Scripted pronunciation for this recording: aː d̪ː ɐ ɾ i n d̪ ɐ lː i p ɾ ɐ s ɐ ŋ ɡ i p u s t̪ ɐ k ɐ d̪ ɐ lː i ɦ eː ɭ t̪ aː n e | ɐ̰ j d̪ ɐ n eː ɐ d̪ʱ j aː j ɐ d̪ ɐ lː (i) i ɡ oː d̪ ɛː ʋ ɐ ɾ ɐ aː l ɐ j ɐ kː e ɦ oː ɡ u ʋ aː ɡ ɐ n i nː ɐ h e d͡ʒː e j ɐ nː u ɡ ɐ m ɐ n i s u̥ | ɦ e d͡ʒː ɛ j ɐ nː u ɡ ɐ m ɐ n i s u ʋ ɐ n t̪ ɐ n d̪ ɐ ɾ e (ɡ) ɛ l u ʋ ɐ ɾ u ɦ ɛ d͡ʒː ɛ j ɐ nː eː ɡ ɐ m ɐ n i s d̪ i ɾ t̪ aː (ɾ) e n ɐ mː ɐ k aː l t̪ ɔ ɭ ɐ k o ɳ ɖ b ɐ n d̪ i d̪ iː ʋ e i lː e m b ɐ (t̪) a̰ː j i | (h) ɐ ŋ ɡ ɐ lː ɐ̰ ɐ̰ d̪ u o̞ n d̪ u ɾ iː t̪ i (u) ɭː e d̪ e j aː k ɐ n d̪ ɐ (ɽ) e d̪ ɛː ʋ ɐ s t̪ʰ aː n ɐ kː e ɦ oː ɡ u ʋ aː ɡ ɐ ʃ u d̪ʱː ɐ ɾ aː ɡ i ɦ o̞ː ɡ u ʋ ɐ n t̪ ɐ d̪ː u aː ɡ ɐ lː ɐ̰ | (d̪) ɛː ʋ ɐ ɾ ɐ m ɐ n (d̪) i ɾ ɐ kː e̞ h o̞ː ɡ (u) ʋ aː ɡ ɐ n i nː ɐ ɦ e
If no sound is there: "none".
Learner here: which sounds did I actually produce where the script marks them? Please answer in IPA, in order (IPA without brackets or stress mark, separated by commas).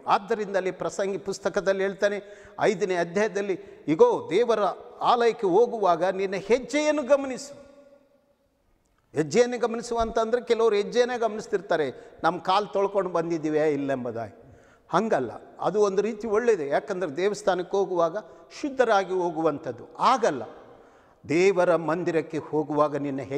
i, k, ɾ, d̪, h, o, ɾ, d̪, d̪, u